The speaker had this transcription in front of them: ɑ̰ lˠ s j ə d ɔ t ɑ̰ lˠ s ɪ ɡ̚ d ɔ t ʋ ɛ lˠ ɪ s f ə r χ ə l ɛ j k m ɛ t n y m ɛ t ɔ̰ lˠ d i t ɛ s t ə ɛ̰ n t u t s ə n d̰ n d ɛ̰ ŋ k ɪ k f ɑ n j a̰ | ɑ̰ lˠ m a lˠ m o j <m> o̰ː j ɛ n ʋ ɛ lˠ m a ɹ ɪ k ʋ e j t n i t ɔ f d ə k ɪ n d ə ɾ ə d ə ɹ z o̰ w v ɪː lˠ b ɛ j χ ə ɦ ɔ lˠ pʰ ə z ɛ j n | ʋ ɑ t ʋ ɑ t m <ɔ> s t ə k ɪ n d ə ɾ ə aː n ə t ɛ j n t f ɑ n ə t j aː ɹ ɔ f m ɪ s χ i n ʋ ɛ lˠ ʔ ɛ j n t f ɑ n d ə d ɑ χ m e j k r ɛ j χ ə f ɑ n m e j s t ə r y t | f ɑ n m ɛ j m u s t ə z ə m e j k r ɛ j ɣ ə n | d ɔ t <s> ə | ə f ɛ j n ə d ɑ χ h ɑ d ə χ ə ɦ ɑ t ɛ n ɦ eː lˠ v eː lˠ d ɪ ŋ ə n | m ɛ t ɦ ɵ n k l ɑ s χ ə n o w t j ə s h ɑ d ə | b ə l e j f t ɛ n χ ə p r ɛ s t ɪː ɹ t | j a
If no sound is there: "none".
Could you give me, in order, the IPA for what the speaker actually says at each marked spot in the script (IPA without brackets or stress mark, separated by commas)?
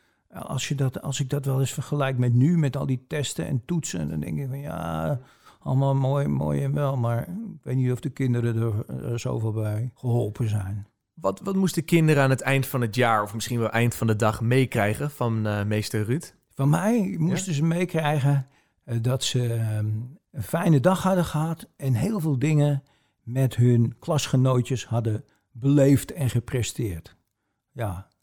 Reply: m, u, s